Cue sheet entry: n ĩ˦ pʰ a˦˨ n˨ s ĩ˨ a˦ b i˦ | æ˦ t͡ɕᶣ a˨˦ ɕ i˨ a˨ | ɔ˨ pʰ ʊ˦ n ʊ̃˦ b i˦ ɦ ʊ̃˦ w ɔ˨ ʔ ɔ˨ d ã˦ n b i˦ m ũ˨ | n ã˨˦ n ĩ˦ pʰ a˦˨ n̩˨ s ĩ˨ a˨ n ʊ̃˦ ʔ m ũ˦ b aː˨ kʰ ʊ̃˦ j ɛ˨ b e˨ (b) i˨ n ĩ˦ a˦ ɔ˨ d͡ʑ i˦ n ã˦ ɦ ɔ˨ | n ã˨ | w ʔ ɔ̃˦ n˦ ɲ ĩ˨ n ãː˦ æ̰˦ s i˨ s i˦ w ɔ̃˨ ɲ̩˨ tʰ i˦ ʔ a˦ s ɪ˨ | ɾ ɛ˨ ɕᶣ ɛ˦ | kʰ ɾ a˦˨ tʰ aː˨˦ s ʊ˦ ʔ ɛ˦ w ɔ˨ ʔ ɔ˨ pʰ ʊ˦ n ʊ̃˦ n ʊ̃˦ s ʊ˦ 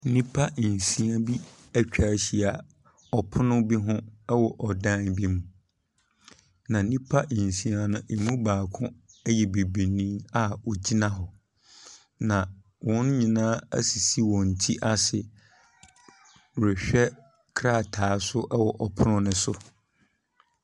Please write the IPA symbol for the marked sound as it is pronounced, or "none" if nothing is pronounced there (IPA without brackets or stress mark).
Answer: b